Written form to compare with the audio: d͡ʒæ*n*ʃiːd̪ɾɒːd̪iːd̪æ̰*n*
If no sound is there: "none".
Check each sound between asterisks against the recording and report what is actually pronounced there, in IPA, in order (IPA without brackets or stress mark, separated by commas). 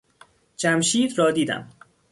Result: m, m